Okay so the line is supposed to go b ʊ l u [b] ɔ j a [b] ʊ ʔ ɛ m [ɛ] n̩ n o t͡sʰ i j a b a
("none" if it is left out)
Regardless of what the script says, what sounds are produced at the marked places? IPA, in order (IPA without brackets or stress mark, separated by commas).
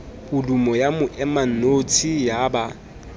m, m, a